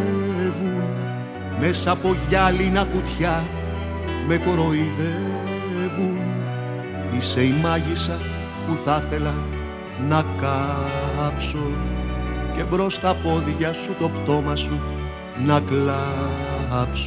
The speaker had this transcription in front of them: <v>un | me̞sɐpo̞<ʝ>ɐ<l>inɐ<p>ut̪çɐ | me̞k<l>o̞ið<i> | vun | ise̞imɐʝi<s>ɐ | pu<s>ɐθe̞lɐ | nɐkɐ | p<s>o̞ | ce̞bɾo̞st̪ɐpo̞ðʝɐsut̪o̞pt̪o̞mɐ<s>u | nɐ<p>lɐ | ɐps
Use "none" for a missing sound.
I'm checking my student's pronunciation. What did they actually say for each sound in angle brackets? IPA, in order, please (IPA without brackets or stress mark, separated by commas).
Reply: v, ʝ, l, k, ɾ, e, s, θ, s, s, k